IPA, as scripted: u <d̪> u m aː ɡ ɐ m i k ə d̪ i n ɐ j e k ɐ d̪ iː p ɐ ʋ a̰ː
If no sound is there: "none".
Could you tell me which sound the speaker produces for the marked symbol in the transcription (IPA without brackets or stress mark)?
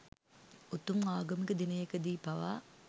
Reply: t̪